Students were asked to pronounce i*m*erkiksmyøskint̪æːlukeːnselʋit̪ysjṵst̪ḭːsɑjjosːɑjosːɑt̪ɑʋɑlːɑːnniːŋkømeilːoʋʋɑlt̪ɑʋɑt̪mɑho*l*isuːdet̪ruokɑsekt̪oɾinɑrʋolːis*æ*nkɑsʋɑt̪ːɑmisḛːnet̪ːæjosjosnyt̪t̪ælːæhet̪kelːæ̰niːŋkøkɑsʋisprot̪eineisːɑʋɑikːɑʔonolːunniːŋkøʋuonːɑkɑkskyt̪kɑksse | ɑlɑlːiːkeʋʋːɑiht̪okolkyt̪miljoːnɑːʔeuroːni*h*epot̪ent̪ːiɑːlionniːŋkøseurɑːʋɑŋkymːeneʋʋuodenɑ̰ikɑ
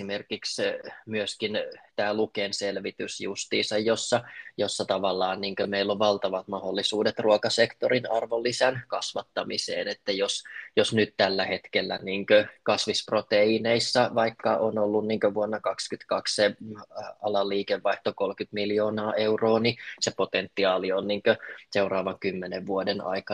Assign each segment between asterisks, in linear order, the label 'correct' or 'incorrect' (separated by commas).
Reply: correct, incorrect, correct, incorrect